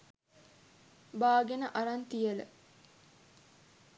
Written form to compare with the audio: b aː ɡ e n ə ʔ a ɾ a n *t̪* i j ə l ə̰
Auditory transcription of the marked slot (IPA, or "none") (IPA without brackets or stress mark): t̪